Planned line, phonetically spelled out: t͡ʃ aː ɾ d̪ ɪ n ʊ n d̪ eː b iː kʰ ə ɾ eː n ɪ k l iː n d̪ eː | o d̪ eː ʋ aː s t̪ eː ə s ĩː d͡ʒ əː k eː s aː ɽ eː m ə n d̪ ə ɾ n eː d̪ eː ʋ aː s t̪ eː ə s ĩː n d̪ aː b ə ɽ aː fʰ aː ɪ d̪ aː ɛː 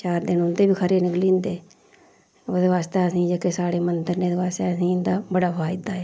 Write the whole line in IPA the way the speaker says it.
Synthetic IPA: t͡ʃ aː ɾ d̪ ɪ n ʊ n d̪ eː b iː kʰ ə ɾ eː n ɪ k l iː n d̪ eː | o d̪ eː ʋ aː s t̪ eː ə s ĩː d͡ʒ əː k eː s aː ɽ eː m ə n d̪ ə ɾ n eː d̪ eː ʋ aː s t̪ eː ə s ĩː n d̪ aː b ə ɽ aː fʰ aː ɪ d̪ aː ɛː

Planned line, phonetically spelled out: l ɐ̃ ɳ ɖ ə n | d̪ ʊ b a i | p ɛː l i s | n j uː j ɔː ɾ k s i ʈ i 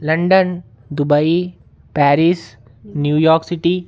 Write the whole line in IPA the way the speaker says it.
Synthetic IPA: l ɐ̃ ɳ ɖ ə n | d̪ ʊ b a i | p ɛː ɾ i s | n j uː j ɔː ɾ k s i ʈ i

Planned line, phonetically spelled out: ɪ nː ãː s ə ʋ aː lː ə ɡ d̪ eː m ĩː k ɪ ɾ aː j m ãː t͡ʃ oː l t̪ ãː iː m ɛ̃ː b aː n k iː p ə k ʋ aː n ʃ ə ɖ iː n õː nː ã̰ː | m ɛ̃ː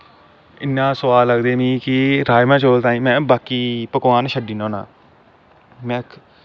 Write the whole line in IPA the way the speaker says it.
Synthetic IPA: ɪ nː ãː s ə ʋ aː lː ə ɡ d̪ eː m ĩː k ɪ ɾ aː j m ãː t͡ʃ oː l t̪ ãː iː m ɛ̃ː b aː k iː p ə k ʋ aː n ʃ ə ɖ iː n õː n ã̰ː | m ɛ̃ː

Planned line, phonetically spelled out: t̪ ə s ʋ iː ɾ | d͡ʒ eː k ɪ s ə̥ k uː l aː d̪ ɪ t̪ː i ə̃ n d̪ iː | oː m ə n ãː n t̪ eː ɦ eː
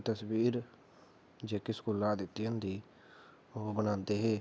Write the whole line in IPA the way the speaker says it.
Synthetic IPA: t̪ ə s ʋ iː ɾ | d͡ʒ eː k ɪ s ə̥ k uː l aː d̪ ɪ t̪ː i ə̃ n d̪ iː | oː b ə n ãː n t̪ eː ɦ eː

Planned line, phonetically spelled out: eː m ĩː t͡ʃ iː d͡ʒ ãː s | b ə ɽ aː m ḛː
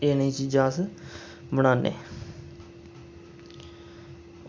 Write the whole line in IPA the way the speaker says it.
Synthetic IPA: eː n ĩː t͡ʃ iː d͡ʒ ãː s | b ə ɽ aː n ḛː

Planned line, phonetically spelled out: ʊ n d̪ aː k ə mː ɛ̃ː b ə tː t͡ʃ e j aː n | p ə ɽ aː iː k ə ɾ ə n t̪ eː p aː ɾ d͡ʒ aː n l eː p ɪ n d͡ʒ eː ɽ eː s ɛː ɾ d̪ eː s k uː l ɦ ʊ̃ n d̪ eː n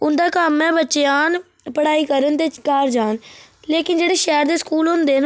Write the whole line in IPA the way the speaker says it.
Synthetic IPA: ʊ n d̪ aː k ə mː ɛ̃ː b ə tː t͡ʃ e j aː n | p ə ɽ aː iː k ə ɾ ə n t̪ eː k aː ɾ d͡ʒ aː n l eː k ɪ n d͡ʒ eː ɽ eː ʃ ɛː ɾ d̪ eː s k uː l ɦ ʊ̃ n d̪ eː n

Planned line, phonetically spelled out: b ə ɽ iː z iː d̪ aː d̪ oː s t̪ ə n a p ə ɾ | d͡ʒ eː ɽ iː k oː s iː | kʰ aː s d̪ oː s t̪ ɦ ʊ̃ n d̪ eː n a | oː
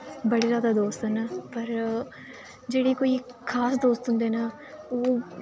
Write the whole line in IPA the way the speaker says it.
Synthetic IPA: b ə ɽ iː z aː d̪ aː d̪ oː s t̪ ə n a p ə ɾ | d͡ʒ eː ɽ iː k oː iː | kʰ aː s d̪ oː s t̪ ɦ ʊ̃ n d̪ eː n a | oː

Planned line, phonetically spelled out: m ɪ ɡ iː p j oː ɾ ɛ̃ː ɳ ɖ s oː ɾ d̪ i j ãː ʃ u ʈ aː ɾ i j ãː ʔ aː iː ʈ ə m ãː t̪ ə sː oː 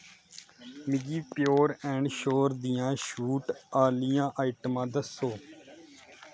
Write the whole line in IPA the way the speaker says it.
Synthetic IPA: m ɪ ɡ iː p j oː ɾ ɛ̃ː ɳ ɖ ʃ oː ɾ d̪ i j ãː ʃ uː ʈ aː l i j ãː ʔ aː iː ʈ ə m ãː d̪ ə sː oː

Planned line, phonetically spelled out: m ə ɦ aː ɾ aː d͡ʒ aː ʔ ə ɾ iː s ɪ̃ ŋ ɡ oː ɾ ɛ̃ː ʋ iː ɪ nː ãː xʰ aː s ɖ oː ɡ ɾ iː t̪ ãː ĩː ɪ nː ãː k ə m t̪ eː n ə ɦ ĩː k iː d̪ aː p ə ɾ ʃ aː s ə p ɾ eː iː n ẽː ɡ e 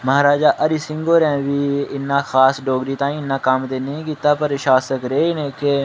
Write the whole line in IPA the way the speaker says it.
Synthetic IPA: m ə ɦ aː ɾ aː d͡ʒ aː ʔ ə ɾ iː s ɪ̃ ŋ ɡ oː ɾ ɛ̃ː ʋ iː ɪ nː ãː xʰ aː s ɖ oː ɡ ɾ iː t̪ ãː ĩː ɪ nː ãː k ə m t̪ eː n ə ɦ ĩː k iː t̪ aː p ə ɾ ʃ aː s ə k ɾ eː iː n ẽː k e

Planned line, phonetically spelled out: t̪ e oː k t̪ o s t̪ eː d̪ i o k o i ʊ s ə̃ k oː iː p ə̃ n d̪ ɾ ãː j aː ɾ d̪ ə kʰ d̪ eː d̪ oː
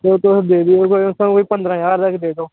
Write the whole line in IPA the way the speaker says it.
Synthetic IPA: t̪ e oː t̪ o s d̪ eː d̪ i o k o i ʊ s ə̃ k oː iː p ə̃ n d̪ ɾ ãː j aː ɾ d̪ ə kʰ d̪ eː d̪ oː

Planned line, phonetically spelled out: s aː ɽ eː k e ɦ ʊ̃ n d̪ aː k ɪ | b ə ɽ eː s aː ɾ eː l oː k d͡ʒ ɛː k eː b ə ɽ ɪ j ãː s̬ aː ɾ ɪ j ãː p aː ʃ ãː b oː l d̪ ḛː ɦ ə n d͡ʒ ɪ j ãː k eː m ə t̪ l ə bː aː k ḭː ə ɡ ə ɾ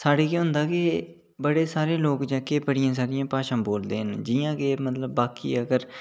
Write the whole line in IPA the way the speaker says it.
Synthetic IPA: s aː ɽ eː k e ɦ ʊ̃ n d̪ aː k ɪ | b ə ɽ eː s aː ɾ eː l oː k d͡ʒ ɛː k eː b ə ɽ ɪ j ãː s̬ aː ɾ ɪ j ãː p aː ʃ ãː b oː l d̪ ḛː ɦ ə n d͡ʒ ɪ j ãː k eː m ə t̪ l ə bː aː k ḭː ə ɡ ə ɾ

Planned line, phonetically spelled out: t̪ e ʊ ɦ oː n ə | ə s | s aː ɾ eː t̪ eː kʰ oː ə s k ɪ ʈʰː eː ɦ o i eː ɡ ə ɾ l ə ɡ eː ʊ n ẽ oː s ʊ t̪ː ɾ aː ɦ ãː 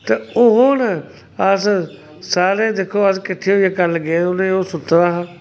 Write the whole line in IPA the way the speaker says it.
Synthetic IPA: t̪ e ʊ ɦ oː n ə | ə s | s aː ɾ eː d̪ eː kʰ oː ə s k ɪ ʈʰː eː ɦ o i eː k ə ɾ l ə ɡ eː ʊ n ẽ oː s ʊ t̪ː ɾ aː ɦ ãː

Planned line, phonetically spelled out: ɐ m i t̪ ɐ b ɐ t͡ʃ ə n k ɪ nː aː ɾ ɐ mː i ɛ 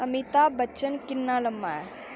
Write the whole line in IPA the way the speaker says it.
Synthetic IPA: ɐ m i t̪ a b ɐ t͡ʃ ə n k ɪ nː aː l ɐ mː a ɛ

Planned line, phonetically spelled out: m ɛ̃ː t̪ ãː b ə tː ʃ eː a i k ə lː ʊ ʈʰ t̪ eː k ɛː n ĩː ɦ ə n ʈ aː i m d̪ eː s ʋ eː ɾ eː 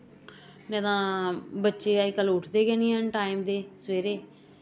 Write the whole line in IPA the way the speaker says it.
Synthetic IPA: n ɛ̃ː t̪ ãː b ə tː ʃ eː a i k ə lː ʊ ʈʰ d̪ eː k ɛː n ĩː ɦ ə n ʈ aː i m d̪ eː s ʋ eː ɾ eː

